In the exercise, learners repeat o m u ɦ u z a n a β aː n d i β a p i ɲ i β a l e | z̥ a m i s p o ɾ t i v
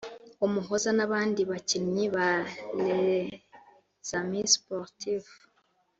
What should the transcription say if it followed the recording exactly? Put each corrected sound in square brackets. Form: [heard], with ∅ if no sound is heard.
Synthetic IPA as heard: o m u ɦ [o] z a n a β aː n d i β a [c] i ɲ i β a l e | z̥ a m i s p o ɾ t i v